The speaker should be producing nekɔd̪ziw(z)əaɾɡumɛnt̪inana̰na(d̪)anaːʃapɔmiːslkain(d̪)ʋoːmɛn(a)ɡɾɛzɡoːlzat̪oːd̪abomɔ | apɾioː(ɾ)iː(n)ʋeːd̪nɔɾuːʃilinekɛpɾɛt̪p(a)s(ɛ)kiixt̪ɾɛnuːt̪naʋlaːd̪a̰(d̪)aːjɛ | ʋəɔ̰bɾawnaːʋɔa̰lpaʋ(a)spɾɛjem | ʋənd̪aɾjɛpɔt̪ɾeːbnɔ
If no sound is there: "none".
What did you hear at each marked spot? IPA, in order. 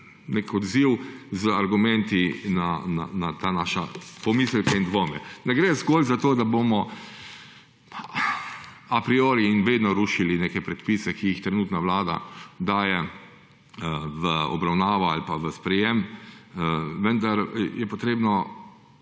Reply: z, t̪, d̪, ɛ, ɾ, n, i, ɛ, d̪, ə

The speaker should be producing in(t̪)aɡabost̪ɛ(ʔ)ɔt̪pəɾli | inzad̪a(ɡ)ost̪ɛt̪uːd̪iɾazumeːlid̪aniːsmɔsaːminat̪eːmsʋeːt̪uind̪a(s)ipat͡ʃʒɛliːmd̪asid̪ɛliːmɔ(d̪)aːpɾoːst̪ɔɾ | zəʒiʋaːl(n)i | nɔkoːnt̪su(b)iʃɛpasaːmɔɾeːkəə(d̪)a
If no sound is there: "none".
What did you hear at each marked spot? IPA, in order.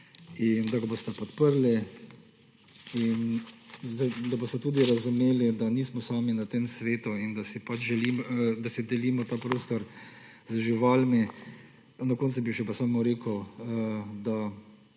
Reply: d̪, p, b, s, t̪, m, b, d̪

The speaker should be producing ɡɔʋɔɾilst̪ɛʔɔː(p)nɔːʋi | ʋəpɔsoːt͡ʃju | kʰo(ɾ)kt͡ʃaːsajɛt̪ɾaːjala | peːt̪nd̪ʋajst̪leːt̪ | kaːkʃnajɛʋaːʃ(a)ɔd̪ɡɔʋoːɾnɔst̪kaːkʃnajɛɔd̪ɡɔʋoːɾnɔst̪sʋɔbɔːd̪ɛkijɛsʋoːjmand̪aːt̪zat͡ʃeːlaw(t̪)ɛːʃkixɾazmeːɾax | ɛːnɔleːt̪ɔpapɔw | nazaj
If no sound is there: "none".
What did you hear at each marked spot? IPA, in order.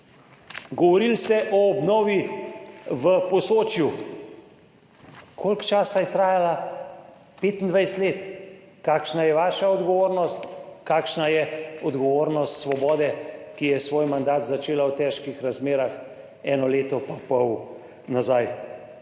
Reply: b, l, a, t̪

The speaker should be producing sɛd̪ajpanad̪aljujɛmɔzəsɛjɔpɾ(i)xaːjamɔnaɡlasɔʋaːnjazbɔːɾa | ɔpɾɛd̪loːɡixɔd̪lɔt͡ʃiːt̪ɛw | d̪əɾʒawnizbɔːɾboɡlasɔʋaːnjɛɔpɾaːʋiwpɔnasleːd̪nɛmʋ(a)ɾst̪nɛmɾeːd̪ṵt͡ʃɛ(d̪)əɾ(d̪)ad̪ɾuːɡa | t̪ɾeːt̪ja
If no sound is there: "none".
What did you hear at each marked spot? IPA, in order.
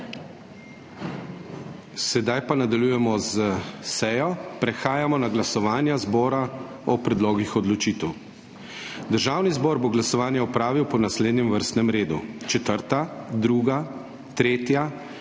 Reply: ɛ, ə, t̪, t̪

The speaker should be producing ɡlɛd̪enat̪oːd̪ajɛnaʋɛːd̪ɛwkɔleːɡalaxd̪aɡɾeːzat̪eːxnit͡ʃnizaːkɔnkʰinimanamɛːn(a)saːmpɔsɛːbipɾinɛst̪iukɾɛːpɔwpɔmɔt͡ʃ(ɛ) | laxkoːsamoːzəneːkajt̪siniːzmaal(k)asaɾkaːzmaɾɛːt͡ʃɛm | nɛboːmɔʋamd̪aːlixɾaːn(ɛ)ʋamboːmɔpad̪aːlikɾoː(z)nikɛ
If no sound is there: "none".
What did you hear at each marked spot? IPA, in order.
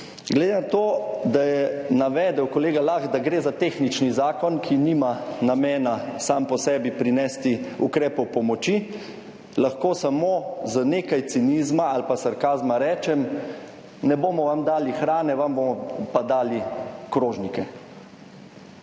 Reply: a, i, p, ɛ, ʒ

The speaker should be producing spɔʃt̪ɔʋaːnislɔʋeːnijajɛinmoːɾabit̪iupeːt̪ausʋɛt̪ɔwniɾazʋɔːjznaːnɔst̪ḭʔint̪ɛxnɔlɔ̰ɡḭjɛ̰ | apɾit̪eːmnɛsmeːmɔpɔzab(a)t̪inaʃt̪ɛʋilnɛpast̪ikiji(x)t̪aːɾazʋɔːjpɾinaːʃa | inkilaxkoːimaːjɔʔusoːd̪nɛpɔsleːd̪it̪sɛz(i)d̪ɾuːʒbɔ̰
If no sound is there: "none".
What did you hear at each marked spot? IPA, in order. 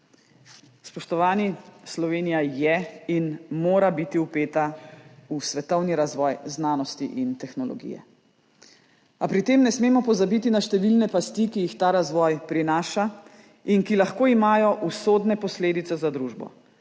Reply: i, x, a

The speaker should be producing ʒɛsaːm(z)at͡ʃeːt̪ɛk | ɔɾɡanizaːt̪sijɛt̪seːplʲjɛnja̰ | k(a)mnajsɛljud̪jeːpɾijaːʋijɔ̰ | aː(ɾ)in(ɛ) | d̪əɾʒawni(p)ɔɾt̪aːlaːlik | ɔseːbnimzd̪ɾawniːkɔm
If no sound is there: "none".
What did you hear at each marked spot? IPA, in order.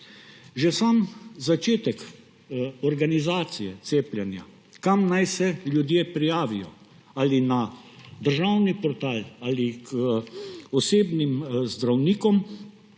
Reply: z, a, l, a, p

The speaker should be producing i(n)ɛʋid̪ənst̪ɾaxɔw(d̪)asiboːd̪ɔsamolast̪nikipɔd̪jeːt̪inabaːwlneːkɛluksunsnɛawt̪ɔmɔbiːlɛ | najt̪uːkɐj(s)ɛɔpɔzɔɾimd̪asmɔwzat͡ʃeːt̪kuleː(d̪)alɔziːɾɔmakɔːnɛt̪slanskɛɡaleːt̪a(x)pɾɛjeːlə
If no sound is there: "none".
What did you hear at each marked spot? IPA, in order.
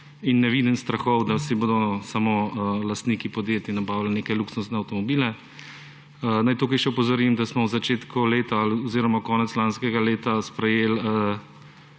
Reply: nː, d̪, ʃ, t̪, s

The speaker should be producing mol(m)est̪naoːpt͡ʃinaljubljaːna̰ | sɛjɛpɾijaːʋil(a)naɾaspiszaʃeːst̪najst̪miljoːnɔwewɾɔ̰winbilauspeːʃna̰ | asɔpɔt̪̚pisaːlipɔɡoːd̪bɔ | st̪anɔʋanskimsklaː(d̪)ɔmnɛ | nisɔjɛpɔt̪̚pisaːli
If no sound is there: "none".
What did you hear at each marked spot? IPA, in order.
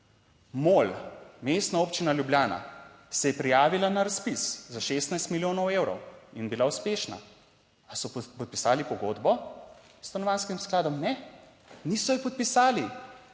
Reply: m, a, d̪

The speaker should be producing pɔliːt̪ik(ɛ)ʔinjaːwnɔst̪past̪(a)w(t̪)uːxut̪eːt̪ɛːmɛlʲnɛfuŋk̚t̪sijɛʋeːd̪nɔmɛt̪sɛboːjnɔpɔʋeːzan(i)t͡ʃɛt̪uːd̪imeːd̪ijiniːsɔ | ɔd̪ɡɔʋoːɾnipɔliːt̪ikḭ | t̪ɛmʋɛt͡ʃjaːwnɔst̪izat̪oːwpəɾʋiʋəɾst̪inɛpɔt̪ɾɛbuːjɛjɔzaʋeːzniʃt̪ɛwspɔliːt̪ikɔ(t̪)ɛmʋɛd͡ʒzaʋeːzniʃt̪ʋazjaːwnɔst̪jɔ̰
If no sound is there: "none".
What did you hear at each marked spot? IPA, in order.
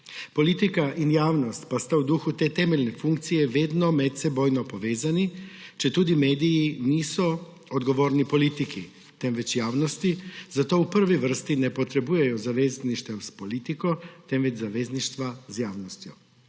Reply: a, a, d̪, i, t̪

